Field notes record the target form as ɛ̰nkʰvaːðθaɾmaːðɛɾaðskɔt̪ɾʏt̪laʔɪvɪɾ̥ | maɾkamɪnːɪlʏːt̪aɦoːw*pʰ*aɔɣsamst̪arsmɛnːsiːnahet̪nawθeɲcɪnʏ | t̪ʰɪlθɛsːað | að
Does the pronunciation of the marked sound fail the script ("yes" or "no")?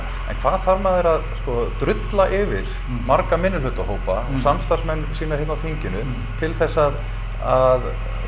yes